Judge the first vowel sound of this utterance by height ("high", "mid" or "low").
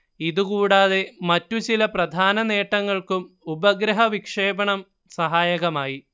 high